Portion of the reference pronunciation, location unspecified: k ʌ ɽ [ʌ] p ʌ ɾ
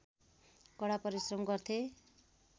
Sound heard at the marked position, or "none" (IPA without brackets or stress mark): a